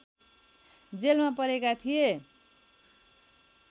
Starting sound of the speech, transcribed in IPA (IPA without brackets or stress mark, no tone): d͡z